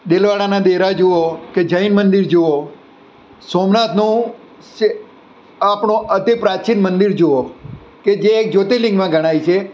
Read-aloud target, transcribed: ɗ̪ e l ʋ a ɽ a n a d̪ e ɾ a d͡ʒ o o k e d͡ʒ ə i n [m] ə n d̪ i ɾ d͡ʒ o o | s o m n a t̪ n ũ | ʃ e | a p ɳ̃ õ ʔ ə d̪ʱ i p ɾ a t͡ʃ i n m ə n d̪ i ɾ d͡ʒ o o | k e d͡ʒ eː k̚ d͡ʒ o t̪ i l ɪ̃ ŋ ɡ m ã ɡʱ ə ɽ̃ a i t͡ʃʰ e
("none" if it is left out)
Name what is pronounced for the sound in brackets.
m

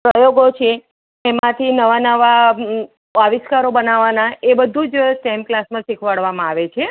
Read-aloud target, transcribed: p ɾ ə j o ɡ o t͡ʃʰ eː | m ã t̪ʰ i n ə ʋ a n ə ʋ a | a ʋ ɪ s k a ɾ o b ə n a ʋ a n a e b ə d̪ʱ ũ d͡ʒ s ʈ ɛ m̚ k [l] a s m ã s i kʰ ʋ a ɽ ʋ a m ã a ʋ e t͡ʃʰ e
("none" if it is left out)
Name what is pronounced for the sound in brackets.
l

